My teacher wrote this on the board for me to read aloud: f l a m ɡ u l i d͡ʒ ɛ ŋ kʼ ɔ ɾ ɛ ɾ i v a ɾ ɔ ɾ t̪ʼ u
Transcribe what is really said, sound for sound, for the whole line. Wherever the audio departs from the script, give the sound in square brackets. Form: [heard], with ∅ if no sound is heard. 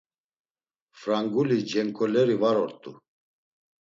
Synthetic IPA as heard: f [ɾ] a [ŋ] ɡ u l i d͡ʒ ɛ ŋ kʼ ɔ [l] ɛ ɾ i v a ɾ ɔ ɾ t̪ʼ u